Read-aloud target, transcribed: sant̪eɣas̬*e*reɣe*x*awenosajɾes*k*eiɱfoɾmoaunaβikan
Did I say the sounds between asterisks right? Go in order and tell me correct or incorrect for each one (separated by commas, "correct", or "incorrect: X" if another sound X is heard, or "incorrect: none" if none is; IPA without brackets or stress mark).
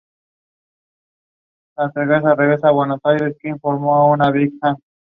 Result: incorrect: a, incorrect: s, correct